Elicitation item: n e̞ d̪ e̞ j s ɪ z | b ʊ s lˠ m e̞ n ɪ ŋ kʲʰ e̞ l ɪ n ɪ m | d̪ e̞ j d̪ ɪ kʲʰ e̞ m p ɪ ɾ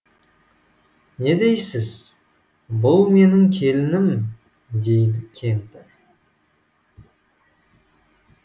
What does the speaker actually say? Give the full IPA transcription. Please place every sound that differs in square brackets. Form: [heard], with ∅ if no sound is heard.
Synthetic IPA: n e̞ d̪ e̞ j s ɪ z | b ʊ [∅] lˠ m e̞ n ɪ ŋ kʲʰ e̞ l ɪ n ɪ m | d̪ e̞ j d̪ ɪ kʲʰ e̞ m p ɪ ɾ